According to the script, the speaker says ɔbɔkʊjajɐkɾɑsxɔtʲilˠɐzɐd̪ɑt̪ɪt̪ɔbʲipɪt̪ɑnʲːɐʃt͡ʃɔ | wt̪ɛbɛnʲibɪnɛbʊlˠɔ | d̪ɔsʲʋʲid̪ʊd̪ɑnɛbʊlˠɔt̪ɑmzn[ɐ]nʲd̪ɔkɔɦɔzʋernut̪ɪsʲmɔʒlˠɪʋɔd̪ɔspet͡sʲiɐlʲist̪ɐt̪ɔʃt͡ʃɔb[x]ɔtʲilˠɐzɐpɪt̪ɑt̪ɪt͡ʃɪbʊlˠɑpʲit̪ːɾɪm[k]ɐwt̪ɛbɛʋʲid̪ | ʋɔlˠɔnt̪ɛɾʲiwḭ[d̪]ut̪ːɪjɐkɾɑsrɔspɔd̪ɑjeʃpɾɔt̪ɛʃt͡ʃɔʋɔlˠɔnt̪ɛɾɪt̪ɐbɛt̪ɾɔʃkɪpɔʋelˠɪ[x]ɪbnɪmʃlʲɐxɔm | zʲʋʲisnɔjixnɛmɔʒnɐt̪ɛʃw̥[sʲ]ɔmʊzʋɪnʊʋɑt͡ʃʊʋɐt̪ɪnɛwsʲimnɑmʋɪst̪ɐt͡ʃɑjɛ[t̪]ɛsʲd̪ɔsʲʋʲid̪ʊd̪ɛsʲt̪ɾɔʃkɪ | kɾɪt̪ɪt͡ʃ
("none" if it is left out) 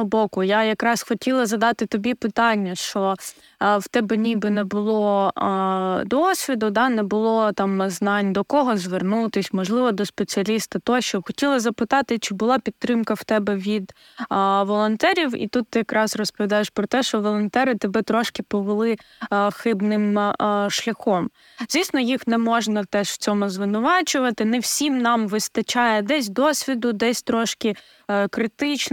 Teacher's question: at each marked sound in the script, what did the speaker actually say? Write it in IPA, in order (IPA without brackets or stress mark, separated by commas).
ɑ, x, k, t̪, x, t͡sʲ, d̪